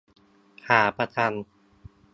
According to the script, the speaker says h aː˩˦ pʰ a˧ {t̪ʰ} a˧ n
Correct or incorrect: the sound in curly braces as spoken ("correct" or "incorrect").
correct